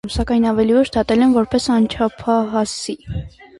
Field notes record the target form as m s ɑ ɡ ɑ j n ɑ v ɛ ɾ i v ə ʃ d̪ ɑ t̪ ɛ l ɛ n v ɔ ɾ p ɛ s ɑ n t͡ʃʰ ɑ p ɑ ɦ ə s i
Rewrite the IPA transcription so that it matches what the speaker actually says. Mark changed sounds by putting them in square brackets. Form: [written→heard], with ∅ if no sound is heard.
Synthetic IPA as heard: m s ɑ [ɡ→k] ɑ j n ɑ v ɛ [ɾ→l] i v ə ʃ d̪ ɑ t̪ ɛ l ɛ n v ɔ ɾ p ɛ s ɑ n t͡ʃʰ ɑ [p→pʰ] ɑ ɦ [ə→ɑ] s i